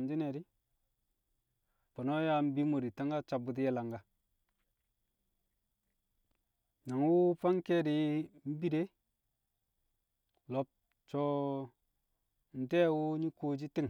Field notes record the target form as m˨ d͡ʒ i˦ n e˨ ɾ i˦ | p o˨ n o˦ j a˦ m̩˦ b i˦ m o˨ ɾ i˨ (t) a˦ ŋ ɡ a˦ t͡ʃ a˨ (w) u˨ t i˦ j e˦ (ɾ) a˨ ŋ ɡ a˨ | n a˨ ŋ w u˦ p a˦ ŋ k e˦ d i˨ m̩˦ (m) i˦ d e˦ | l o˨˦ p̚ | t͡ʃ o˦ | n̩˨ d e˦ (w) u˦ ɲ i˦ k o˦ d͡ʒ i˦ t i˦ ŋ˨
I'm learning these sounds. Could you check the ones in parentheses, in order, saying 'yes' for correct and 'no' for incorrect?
yes, no, no, no, yes

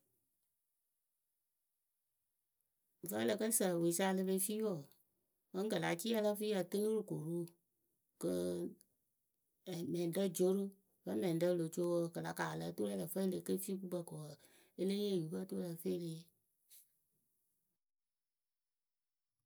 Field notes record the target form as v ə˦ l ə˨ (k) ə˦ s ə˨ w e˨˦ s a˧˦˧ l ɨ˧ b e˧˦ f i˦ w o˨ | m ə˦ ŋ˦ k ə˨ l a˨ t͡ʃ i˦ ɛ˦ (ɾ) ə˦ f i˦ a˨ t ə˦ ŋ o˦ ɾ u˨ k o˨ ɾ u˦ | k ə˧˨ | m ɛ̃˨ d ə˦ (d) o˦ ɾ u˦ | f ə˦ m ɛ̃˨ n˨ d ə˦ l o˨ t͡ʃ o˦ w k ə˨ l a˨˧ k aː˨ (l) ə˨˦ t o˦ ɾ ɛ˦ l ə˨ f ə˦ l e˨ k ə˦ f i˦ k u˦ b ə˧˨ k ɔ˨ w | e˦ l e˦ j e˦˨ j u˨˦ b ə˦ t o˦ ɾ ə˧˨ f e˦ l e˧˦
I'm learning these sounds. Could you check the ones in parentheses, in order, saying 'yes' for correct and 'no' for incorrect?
yes, no, no, yes

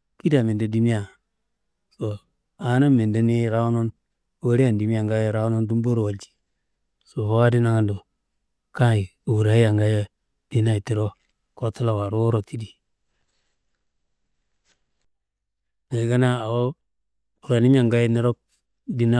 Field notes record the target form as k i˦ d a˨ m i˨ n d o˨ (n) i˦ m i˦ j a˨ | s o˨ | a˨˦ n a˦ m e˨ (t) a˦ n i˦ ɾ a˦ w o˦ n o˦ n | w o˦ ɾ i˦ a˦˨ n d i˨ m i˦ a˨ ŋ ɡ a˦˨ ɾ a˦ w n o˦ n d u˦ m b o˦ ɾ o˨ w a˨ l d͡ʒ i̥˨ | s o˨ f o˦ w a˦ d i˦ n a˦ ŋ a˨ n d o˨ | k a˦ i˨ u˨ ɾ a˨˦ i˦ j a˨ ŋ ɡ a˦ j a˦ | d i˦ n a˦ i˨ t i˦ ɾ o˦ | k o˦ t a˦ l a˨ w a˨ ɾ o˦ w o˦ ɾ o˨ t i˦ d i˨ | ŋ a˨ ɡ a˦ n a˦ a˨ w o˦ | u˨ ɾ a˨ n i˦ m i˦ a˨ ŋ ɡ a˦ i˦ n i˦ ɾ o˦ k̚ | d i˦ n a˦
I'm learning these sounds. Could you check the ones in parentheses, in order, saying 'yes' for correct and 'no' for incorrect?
no, no

